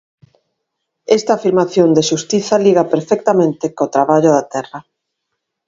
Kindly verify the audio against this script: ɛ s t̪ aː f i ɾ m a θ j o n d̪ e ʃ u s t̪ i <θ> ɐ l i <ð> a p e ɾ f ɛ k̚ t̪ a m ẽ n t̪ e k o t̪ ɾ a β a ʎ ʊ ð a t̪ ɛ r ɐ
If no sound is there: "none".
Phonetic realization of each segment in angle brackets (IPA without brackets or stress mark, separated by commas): θ, ɣ